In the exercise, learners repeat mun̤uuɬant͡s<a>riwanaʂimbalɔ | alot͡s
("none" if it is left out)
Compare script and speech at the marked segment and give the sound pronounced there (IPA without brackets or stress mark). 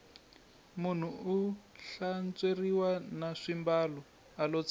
e